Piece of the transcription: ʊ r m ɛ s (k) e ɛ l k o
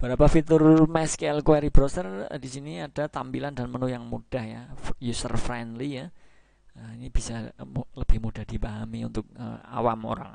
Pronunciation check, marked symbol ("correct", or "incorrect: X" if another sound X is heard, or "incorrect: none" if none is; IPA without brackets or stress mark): correct